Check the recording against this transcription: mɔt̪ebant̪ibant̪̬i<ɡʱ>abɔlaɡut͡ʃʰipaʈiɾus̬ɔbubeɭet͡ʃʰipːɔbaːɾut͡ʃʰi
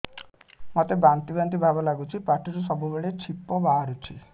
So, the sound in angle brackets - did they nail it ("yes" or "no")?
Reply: no